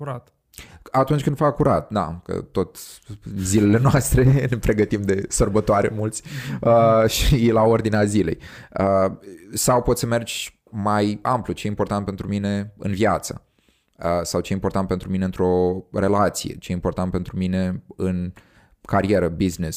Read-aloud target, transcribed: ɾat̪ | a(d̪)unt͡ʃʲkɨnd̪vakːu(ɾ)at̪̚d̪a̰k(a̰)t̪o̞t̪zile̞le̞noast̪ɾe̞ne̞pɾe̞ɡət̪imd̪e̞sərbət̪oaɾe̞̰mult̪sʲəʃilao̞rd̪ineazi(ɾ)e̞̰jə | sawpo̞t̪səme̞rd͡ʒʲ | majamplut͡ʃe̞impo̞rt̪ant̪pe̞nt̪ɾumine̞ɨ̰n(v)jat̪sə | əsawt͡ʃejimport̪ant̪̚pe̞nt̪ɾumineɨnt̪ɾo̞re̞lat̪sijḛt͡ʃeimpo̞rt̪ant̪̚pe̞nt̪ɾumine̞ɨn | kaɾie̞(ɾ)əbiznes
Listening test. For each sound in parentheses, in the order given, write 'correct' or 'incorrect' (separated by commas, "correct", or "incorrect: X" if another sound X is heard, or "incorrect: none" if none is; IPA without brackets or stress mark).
incorrect: t̪, correct, incorrect: ə̰, incorrect: l, correct, correct